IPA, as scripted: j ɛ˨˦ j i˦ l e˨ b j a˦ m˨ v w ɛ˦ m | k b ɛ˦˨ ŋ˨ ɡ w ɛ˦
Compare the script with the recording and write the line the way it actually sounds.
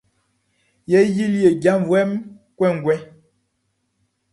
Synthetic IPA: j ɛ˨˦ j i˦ l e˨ ɡ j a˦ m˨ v w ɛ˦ m | k w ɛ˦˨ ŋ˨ ɡ w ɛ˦